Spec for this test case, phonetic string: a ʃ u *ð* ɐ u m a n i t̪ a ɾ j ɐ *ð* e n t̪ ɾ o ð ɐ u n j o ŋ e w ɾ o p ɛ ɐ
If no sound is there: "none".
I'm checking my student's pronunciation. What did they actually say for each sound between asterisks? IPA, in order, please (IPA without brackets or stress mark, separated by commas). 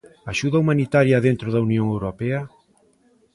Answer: ð, ð